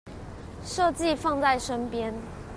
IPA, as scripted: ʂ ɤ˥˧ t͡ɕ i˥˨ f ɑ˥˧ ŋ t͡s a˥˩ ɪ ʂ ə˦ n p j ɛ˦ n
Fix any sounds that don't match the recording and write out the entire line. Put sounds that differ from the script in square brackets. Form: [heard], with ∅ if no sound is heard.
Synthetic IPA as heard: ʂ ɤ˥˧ t͡ɕ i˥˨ f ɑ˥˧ ŋ t͡s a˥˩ ɪ ʂ ə˦ n p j ɛ˦ n

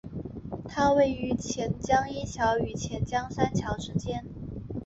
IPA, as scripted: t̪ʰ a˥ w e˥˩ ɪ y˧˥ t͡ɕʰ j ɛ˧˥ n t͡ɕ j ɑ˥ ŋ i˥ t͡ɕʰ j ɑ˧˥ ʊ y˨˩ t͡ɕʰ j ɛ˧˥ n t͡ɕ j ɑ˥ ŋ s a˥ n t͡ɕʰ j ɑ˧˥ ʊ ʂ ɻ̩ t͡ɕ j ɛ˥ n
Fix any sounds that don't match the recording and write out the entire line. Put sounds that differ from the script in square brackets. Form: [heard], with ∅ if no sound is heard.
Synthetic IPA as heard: t̪ʰ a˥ w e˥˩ ɪ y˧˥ t͡ɕʰ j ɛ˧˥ n t͡ɕ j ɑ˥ ŋ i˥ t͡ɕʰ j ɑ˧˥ ʊ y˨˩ t͡ɕʰ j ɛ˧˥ n t͡ɕ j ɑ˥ ŋ s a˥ n t͡ɕʰ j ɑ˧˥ ʊ ʂ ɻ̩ t͡ɕ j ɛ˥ n

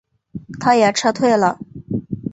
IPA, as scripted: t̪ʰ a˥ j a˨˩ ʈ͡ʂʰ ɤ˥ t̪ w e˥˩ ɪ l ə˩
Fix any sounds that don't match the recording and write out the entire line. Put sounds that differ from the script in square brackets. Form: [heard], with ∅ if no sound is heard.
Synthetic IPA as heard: t̪ʰ a˥ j [ɛ˨˩] ʈ͡ʂʰ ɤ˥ [t̪ʰ] w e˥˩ ɪ l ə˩

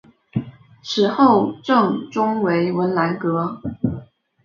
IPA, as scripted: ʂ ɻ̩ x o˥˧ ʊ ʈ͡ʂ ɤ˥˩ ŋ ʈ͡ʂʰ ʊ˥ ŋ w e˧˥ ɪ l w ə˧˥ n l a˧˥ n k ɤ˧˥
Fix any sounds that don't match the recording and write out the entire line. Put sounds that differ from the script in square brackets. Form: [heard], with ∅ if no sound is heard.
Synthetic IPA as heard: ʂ ɻ̩ x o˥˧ ʊ ʈ͡ʂ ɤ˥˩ ŋ [ʈ͡ʂ] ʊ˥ ŋ w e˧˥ ɪ [∅] w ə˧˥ n l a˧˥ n k ɤ˧˥

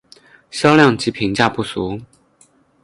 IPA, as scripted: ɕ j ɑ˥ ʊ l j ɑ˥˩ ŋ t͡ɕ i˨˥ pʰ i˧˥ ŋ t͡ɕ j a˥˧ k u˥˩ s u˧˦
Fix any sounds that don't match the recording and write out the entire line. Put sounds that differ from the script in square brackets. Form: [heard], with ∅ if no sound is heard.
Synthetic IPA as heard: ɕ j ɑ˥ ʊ l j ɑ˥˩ ŋ t͡ɕ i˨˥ pʰ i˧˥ ŋ t͡ɕ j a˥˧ [p] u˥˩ s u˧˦

